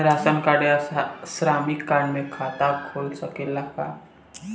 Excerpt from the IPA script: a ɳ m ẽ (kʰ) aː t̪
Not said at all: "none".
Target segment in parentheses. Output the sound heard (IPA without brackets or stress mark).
kʰ